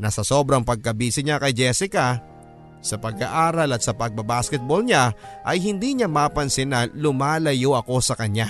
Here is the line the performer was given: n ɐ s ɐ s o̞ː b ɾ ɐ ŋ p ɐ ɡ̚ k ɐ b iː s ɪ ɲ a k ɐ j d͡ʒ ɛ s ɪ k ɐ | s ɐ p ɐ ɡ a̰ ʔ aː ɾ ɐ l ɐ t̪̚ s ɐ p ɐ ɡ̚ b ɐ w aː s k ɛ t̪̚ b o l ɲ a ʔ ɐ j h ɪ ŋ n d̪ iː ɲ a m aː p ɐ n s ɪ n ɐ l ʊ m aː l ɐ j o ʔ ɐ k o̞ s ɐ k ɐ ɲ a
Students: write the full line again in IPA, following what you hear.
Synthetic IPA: n ɐ s ɐ s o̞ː b ɾ ɐ ŋ p ɐ ɡ̚ k ɐ b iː s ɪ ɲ a k ɐ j d͡ʒ ɛ s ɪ k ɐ | s ɐ p ɐ ɡ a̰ ʔ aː ɾ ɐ l ɐ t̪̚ s ɐ p ɐ ɡ̚ b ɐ b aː s k ɛ t̪̚ b o l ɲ a ʔ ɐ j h ɪ n d̪ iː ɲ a m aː p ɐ n s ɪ n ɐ l ʊ m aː l ɐ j o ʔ ɐ k o̞ s ɐ k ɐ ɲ a